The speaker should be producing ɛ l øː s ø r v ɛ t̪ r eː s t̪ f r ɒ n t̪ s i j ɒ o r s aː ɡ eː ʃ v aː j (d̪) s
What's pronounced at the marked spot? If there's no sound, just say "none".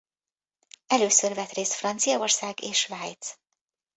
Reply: t̪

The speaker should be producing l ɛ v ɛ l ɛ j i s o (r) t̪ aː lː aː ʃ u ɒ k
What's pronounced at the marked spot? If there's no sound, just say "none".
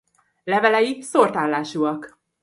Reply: r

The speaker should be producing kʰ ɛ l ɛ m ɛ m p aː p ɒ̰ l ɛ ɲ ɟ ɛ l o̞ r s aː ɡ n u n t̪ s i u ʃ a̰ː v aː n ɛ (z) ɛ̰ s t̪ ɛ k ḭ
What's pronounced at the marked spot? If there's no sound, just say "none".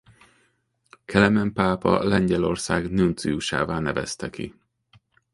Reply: v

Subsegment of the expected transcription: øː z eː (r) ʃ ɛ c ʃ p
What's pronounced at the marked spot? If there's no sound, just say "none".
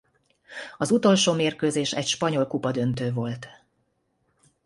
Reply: none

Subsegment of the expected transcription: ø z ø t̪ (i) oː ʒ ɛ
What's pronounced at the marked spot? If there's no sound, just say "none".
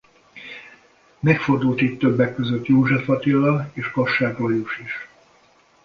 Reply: j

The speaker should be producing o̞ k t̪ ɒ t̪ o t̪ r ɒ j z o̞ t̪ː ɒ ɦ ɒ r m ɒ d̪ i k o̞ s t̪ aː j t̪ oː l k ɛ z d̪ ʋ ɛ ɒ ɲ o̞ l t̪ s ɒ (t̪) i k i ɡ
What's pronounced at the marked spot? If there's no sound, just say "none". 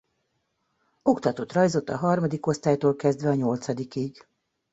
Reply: d̪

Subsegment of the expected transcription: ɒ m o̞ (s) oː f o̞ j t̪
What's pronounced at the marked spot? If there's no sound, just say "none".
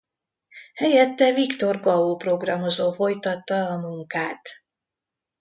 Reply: z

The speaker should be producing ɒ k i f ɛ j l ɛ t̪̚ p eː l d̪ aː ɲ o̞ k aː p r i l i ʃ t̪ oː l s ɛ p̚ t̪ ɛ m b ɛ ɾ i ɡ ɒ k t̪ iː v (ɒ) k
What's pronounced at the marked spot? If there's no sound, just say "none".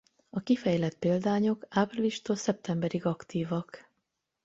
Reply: ɒ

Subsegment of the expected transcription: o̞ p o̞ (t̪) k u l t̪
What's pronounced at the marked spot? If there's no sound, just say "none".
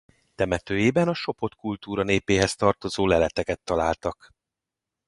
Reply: t̪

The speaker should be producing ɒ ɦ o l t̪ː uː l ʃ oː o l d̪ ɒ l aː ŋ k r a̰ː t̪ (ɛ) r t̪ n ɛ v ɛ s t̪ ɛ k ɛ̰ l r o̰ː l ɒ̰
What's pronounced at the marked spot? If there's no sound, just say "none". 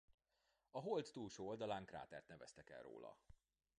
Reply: ɛ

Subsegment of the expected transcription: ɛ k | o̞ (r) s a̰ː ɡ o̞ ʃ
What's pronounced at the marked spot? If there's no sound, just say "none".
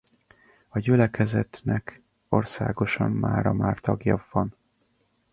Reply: r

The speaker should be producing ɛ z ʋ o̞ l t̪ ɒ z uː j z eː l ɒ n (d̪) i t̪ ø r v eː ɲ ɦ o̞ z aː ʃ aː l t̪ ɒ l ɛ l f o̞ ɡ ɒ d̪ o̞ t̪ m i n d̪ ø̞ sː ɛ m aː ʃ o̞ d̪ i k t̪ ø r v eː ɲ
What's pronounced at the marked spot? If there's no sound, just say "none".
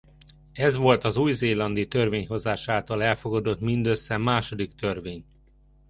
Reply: d̪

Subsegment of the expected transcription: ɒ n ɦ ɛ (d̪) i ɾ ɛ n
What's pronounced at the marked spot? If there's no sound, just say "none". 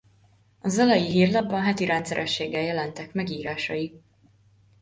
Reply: t̪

